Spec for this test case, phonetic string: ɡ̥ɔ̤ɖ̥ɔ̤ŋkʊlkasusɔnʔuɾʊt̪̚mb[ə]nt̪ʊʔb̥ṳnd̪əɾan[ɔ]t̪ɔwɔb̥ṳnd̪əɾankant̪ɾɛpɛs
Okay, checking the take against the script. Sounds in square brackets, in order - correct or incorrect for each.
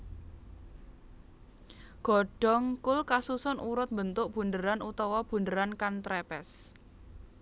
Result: correct, incorrect: u

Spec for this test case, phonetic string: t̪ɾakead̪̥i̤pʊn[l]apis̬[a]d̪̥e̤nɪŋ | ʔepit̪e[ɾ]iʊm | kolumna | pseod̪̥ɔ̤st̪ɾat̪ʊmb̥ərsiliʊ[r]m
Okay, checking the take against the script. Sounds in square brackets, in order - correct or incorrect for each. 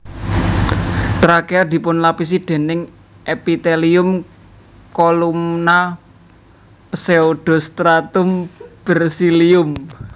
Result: correct, incorrect: i, incorrect: l, incorrect: none

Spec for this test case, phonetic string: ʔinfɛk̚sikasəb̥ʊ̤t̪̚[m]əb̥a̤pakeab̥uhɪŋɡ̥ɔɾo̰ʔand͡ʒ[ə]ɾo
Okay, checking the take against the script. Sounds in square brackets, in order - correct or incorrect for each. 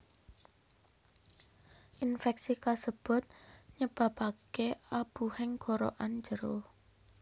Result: incorrect: ɲ, correct

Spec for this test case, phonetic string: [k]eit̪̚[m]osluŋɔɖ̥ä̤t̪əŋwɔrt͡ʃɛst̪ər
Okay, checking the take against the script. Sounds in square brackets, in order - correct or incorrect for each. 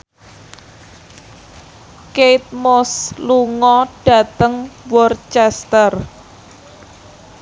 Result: correct, correct

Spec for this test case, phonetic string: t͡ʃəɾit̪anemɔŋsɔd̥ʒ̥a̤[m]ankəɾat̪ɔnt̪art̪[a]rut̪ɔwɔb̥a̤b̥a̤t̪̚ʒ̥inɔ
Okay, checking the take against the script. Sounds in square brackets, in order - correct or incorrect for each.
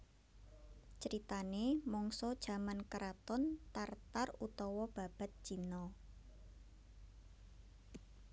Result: correct, correct

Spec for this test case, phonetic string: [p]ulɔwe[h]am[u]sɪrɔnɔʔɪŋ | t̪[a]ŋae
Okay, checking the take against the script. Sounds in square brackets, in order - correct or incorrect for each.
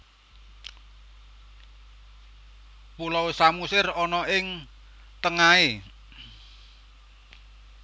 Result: correct, incorrect: s, correct, incorrect: ə

